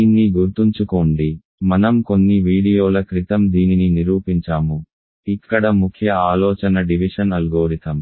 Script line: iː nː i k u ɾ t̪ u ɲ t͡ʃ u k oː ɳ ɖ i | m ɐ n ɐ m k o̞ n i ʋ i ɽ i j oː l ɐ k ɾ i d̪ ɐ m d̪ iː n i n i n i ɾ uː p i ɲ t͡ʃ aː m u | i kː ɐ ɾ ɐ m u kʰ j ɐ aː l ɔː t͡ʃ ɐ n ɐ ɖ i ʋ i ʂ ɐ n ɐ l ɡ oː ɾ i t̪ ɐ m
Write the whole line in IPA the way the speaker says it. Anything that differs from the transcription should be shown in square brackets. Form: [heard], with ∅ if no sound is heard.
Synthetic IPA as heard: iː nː i [ɡ] u ɾ t̪ u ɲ t͡ʃ u k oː ɳ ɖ i | m ɐ n ɐ m k o̞ [nː] i ʋ [iː] ɽ i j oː l ɐ k ɾ i [t̪] ɐ m d̪ iː n i n i n i ɾ uː p i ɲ t͡ʃ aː m u | i kː ɐ [ɽ] ɐ m u kʰ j ɐ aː l ɔː t͡ʃ ɐ n ɐ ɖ i ʋ i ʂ ɐ n ɐ l ɡ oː ɾ i t̪ ɐ m